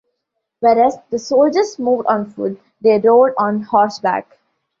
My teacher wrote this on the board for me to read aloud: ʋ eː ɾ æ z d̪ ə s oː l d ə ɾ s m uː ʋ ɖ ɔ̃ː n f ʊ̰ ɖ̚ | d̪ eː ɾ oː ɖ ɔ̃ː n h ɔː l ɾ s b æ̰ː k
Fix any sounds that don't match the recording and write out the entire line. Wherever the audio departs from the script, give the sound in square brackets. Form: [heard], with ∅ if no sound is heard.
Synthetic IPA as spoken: ʋ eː ɾ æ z d̪ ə s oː l [d͡ʒ] ə ɾ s m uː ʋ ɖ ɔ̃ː n f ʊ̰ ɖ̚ | d̪ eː ɾ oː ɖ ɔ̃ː n h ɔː [∅] ɾ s b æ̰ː k